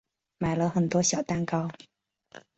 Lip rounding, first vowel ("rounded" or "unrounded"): unrounded